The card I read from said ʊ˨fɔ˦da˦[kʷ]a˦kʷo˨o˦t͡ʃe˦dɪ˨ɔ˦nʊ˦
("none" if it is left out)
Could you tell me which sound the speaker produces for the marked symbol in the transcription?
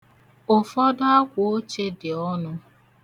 none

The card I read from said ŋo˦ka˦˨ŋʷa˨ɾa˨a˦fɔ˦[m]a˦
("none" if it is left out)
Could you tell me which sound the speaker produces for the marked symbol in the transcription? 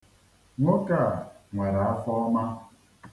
m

